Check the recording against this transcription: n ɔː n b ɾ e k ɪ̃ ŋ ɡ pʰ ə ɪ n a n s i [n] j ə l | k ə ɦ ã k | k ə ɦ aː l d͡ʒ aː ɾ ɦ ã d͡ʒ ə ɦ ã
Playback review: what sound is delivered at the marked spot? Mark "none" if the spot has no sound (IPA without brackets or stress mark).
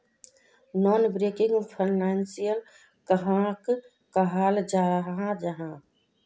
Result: none